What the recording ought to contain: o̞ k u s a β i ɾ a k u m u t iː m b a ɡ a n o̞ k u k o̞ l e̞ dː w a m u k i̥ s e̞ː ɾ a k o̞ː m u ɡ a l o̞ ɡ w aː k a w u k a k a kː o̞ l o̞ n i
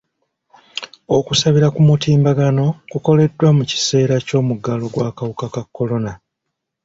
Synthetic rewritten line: o̞ k u s a β i ɾ a k u m u t iː m b a ɡ a n o̞ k u k o̞ l e̞ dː w a m u c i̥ s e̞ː ɾ a c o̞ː m u ɡ a l o̞ ɡ w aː k a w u k a k a kː o̞ l o̞ n a